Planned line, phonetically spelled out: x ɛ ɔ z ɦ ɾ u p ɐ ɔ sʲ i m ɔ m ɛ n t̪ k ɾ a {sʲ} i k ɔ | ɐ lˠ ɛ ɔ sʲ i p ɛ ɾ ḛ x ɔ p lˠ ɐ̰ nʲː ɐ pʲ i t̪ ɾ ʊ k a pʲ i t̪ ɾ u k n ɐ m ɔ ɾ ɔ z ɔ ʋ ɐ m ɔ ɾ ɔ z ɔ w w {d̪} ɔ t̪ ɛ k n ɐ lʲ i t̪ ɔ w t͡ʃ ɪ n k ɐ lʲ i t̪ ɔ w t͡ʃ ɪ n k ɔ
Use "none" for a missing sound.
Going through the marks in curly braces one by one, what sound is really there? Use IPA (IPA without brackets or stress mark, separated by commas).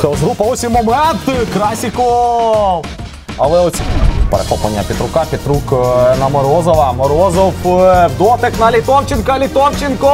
sʲ, d̪